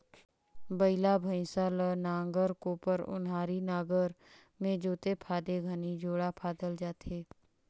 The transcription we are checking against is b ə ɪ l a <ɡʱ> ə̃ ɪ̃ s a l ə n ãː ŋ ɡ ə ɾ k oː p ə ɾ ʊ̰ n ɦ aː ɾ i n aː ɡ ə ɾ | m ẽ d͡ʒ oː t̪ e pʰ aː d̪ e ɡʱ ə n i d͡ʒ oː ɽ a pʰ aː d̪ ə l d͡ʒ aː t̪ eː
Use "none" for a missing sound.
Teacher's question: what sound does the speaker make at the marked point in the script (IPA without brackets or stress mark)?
bʱ